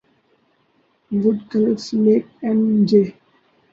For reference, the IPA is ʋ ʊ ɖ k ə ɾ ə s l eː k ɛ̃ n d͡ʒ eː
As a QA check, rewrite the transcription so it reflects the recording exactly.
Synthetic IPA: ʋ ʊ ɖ k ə l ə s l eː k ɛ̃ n d͡ʒ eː